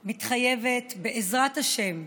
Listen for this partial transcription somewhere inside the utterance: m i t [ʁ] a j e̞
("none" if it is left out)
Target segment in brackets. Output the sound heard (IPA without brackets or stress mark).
χ